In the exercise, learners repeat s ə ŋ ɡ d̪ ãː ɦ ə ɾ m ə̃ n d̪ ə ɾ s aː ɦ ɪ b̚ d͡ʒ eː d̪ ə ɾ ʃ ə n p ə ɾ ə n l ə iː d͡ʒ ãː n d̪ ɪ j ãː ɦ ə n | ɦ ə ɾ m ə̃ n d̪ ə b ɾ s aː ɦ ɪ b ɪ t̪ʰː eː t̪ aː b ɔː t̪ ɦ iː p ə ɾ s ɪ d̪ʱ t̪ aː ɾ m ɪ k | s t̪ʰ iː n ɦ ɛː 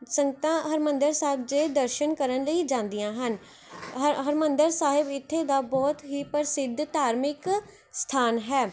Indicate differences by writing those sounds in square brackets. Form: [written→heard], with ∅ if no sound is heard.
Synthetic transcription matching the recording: s ə ŋ ɡ [d̪→t̪] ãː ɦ ə ɾ m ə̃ n d̪ ə ɾ s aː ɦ ɪ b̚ d͡ʒ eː d̪ ə ɾ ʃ ə n [p→k] ə ɾ ə n l ə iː d͡ʒ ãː n d̪ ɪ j ãː ɦ ə n | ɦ ə ɾ m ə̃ n d̪ ə [b→∅] ɾ s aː ɦ ɪ b ɪ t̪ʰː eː [t̪→d̪] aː b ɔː t̪ ɦ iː p ə ɾ s ɪ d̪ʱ t̪ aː ɾ m ɪ k | s t̪ʰ [iː→aː] n ɦ ɛː